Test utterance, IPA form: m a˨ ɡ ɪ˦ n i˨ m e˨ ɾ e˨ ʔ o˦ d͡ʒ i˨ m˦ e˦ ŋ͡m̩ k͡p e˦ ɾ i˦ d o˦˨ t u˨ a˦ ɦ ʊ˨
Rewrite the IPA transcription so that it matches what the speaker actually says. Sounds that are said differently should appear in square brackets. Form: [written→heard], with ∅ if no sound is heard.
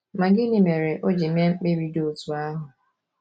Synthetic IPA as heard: m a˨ ɡ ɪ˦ n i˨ m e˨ ɾ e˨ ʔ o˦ d͡ʒ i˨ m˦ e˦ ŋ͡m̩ k͡p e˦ ɾ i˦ d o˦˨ t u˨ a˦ ɦ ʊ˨